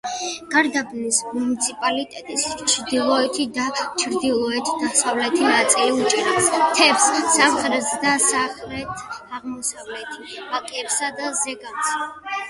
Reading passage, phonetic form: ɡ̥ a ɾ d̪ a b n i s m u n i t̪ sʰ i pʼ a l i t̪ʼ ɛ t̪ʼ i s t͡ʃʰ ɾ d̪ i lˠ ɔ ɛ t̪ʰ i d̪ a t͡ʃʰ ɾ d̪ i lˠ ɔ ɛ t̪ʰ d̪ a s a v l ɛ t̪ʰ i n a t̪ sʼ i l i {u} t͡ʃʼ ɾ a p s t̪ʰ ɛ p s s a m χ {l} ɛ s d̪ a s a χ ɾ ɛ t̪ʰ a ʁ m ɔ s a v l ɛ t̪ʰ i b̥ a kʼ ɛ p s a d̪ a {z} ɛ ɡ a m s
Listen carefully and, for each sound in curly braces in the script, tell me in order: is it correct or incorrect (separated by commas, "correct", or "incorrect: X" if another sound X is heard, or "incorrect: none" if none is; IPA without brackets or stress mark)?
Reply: correct, incorrect: ɾ, correct